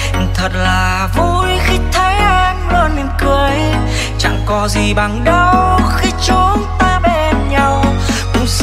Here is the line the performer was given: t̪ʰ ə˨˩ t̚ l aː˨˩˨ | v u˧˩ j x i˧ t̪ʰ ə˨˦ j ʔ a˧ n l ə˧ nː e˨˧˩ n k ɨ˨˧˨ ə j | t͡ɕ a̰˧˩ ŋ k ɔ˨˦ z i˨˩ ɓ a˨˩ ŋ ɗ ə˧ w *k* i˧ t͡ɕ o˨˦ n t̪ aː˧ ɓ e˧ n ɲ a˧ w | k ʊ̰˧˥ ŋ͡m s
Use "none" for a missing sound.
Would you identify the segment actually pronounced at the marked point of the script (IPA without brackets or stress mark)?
x